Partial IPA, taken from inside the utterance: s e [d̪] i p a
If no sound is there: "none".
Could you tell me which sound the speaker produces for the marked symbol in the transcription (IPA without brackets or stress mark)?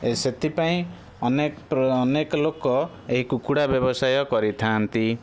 t̪